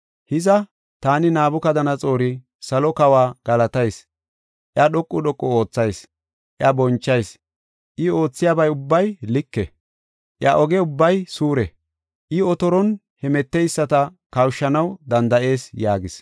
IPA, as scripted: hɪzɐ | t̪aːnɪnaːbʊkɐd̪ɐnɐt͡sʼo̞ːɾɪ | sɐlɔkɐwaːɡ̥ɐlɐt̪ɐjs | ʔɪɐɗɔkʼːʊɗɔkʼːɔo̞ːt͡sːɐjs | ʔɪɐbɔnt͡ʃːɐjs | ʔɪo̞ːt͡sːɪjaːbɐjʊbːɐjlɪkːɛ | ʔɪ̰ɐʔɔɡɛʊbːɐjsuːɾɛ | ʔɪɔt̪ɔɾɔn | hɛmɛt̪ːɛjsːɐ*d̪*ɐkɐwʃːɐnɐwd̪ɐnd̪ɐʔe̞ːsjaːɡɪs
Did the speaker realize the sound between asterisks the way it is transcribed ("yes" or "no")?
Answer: no